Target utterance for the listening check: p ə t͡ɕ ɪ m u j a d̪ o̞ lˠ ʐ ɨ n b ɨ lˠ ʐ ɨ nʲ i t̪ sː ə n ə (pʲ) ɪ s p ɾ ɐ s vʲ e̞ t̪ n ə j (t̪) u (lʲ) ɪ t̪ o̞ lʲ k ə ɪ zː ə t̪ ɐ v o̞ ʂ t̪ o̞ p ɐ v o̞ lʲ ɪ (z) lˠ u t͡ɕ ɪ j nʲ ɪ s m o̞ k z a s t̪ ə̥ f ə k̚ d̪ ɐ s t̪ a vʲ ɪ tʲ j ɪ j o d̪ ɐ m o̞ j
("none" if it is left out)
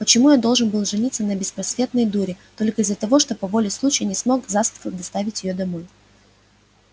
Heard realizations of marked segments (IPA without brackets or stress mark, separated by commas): bʲ, d̪, ɾʲ, s